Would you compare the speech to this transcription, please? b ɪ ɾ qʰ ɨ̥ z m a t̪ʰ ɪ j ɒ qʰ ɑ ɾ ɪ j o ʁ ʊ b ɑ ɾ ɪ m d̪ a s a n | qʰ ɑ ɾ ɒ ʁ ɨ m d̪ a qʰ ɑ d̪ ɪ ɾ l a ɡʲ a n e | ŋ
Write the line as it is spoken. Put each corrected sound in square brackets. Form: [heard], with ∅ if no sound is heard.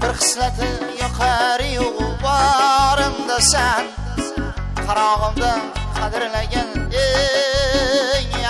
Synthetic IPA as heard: b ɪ ɾ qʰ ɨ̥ [s] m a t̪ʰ ɪ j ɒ qʰ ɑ ɾ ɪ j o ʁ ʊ b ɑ ɾ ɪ m d̪ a s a n | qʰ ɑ ɾ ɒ ʁ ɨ m d̪ a qʰ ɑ d̪ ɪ ɾ l a ɡʲ a n e | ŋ

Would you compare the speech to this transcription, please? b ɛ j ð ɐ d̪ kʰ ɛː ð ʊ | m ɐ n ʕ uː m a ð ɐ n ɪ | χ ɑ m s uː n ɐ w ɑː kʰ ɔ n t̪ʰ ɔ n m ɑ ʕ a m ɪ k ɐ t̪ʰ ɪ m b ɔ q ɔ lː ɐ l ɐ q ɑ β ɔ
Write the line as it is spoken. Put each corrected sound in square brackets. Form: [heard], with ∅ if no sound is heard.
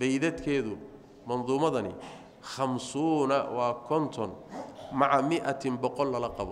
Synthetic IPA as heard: b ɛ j ð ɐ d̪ kʰ ɛː ð ʊ | m ɐ n [ð] uː m [ɐ] ð ɐ n ɪ | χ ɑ m s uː n ɐ w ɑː kʰ ɔ n t̪ʰ ɔ n m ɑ ʕ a m ɪ [ʔ] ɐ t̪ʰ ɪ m b ɔ q ɔ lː ɐ l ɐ q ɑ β ɔ

